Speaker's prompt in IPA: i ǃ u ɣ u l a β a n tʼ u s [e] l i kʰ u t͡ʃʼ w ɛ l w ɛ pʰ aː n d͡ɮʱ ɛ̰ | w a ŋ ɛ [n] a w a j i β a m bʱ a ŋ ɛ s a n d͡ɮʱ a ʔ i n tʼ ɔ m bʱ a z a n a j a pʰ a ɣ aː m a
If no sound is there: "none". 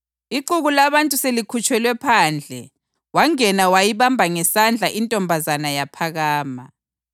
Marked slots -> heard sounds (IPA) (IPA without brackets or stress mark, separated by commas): e, n